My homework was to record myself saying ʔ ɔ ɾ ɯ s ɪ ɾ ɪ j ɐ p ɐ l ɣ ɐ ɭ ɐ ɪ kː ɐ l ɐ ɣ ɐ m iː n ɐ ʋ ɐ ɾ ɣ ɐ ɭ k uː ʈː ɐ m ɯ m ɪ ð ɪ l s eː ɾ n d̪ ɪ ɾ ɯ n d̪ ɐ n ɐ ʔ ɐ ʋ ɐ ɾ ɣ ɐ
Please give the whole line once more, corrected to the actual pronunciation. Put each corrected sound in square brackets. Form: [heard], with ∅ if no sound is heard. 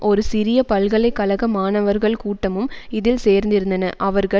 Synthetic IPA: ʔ ɔ ɾ ɯ s ɪ ɾ ɪ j ɐ p ɐ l ɣ ɐ ɭ ɐ ɪ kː ɐ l ɐ ɣ ɐ m [aː] n ɐ ʋ ɐ ɾ ɣ ɐ ɭ k uː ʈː ɐ m ɯ m ɪ ð ɪ l s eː ɾ n d̪ ɪ ɾ ɯ n d̪ ɐ n ɐ ʔ ɐ ʋ ɐ ɾ ɣ ɐ